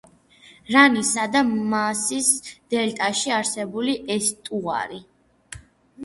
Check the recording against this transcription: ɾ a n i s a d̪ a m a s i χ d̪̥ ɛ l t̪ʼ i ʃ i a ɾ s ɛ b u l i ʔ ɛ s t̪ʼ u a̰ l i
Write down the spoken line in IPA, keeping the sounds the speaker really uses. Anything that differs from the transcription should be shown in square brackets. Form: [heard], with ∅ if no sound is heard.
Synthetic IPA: ɾ a n i s a d̪ a m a s i [s] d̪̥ ɛ l t̪ʼ [a] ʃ i a ɾ s ɛ b u l i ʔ ɛ s t̪ʼ u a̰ [ɾ] i